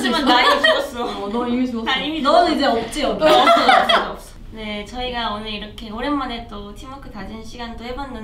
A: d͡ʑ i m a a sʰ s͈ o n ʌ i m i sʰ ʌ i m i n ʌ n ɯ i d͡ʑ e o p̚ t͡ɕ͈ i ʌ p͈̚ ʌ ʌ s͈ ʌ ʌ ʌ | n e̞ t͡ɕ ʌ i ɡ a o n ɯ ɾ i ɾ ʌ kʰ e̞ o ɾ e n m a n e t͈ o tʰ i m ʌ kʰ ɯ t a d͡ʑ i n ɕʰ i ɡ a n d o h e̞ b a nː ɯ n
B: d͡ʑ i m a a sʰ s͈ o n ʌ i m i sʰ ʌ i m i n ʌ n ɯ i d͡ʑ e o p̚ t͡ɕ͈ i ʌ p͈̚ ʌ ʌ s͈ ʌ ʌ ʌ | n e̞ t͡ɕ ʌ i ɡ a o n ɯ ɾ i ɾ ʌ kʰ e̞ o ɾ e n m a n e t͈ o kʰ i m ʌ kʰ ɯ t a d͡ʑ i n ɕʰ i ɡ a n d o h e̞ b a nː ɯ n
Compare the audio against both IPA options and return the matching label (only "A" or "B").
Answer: A